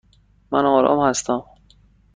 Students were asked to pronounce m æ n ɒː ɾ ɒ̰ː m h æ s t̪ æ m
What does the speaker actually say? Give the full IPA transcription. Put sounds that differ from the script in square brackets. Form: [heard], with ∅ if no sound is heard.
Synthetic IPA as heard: m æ n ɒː ɾ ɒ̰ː m h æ s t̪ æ m